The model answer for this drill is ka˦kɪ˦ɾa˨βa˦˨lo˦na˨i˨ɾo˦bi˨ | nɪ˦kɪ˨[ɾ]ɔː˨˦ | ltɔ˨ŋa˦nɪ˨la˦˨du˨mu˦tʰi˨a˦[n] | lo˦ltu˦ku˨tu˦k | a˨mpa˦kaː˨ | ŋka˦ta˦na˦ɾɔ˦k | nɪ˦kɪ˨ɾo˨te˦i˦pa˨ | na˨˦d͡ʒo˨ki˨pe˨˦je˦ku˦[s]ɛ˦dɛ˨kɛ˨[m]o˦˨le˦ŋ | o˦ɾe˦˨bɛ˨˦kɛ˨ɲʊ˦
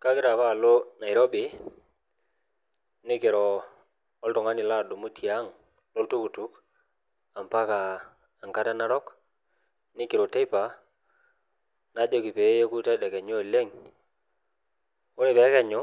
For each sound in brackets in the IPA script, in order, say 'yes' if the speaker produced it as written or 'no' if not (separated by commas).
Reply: yes, no, no, no